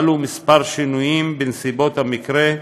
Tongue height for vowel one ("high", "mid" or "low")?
high